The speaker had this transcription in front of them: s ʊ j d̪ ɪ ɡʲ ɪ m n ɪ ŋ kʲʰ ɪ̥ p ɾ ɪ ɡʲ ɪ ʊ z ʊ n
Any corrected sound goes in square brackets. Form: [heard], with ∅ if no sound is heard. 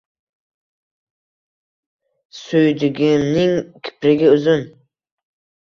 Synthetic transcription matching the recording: s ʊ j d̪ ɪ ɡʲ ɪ m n ɪ ŋ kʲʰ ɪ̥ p ɾ ɪ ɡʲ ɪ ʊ z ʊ n